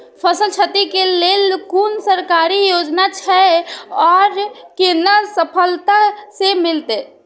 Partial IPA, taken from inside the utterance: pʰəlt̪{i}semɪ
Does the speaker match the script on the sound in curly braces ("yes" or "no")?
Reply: no